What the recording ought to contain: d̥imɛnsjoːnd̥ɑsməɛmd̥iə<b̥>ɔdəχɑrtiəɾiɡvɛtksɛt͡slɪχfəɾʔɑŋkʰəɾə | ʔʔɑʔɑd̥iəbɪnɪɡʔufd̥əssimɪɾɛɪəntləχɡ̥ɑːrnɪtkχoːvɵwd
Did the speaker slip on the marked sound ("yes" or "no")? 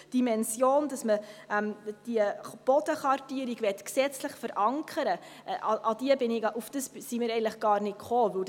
no